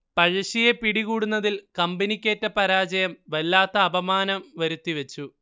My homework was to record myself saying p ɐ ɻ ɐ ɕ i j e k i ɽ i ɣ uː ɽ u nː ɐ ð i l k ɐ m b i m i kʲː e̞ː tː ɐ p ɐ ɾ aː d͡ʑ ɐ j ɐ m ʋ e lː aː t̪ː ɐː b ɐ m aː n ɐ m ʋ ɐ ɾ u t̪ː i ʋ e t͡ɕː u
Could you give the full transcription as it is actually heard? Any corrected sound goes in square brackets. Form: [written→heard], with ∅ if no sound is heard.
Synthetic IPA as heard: p ɐ ɻ ɐ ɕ i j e [k→p] i ɽ i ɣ uː ɽ u nː ɐ ð i l k ɐ m b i [m→n] i kʲː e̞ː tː ɐ p ɐ ɾ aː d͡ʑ ɐ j ɐ m ʋ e lː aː t̪ː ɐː b ɐ m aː n ɐ m ʋ ɐ ɾ u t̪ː i ʋ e t͡ɕː u